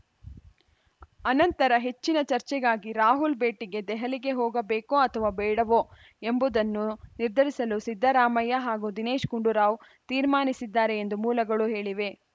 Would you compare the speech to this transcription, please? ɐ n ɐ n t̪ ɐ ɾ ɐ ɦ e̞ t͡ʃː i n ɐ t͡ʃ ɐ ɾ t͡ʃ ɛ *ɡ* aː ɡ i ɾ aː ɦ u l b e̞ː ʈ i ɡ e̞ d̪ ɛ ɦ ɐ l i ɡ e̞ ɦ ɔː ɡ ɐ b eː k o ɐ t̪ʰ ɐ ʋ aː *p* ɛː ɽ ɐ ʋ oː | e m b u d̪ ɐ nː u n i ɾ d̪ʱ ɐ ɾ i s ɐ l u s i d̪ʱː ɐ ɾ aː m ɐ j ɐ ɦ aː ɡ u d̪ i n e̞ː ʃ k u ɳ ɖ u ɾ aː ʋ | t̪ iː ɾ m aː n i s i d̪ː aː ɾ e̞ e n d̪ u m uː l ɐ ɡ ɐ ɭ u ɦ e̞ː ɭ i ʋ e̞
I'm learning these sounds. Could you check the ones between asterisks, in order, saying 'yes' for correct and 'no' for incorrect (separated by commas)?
yes, no